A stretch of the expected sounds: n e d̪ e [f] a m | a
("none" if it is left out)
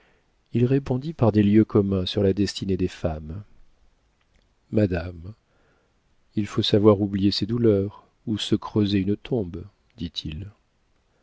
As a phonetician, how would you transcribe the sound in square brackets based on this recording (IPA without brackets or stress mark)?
f